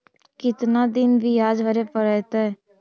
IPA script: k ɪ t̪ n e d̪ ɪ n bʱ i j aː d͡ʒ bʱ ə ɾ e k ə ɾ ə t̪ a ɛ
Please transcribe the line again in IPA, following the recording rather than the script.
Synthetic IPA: k ɪ t̪ n a d̪ ɪ n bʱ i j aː d͡ʒ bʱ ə ɾ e p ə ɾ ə t̪ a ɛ

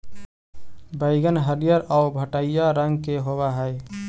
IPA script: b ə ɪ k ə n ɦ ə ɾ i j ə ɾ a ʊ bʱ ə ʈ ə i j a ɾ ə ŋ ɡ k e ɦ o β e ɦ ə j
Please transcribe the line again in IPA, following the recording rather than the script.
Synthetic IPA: b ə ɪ ɡ ə n ɦ ə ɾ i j ə ɾ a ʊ bʱ ə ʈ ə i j a ɾ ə ŋ ɡ k e ɦ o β a ɦ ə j

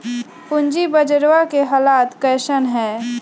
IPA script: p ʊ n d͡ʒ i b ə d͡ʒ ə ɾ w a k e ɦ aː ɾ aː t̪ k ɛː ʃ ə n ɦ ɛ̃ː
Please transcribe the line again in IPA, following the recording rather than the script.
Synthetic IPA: p ʊ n d͡ʒ i b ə d͡ʒ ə ɾ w a k e ɦ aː l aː t̪ k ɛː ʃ ə n ɦ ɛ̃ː

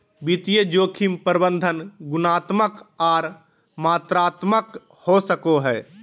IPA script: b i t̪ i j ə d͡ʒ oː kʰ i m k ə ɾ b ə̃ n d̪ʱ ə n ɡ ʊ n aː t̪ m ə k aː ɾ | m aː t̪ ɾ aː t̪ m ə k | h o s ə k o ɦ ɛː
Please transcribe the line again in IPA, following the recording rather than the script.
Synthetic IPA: b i t̪ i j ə d͡ʒ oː kʰ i m p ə ɾ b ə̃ n d̪ʱ ə n ɡ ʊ n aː t̪ m ə k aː ɾ | m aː t̪ ɾ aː t̪ m ə k | h o s ə k o ɦ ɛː

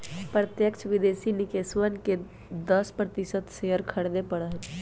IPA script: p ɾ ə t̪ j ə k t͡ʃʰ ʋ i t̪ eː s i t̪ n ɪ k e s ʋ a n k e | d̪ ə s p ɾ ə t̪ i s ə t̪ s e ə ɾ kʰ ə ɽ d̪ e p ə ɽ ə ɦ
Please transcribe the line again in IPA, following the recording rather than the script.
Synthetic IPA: p ɾ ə t̪ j ə k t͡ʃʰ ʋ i d̪ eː s i n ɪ k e s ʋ ə n k e | d̪ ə s p ɾ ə t̪ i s ə t̪ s e ə ɾ kʰ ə ɽ d̪ e p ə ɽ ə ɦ

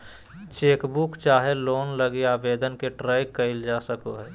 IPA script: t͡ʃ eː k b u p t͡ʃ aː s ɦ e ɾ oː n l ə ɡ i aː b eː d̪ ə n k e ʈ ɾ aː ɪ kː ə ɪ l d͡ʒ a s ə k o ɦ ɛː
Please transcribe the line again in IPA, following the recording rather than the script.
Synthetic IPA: t͡ʃ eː k b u k t͡ʃ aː ɦ e l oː n l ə ɡ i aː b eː d̪ ə n k e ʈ ɾ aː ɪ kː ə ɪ l d͡ʒ a s ə k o ɦ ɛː

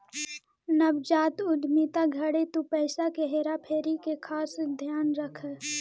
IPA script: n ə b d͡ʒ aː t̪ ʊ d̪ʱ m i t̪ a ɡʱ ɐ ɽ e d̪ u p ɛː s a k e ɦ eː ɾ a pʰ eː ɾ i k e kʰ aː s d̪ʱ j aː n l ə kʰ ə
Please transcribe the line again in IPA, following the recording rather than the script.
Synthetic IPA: n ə b d͡ʒ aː t̪ ʊ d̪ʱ m i t̪ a ɡʱ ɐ ɽ e t̪ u p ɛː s a k e ɦ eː ɾ a pʰ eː ɾ i k e kʰ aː s d̪ʱ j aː n ɾ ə kʰ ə

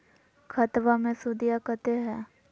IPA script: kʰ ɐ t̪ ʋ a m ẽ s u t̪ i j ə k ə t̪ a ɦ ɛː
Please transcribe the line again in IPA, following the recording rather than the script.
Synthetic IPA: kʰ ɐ t̪ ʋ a m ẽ s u d̪ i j a k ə t̪ e ɦ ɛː

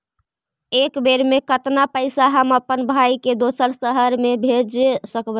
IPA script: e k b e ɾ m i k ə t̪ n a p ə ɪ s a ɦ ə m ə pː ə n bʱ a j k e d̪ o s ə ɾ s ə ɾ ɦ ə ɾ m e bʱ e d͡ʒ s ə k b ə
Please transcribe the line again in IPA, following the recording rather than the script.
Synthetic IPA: e k b e ɾ m e k ə t̪ n a p ə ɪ s a ɦ ə m ə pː ə n bʱ a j k e d̪ o s ə ɾ s ə ɦ ə ɾ m e bʱ e d͡ʒ s ə k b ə

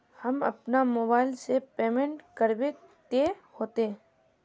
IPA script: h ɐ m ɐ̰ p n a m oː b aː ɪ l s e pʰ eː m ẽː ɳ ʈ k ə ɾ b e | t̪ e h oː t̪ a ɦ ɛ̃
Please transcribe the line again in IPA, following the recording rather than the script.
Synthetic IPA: h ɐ m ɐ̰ p n a m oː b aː ɪ l s e p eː m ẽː ɳ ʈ k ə ɾ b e | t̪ e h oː t̪ e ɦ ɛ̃

